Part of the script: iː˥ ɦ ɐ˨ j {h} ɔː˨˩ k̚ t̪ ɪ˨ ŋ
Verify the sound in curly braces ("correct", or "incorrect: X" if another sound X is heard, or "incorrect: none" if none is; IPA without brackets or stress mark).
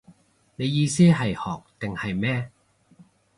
correct